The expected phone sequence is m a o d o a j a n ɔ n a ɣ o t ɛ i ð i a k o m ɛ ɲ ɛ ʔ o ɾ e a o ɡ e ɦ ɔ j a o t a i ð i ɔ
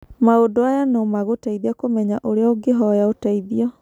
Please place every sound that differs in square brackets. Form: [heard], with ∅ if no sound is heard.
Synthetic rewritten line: m a o d o a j a n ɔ [m] a ɣ o t [a] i ð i a k o m ɛ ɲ [a] ʔ o ɾ e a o ɡ e ɦ ɔ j a o t a i ð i ɔ